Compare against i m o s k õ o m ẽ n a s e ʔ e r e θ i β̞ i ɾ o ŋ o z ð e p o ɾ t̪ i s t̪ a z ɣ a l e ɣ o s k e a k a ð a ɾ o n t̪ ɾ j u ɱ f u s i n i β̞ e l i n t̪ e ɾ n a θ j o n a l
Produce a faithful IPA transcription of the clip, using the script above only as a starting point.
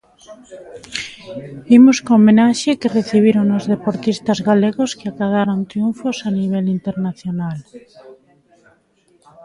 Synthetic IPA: i m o s k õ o m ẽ n a ʃ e k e r e θ i β̞ i ɾ o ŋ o z ð e p o ɾ t̪ i s t̪ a z ɣ a l e ɣ o s k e a k a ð a ɾ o n t̪ ɾ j u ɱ f o s a n i β̞ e l i n t̪ e ɾ n a θ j o n a l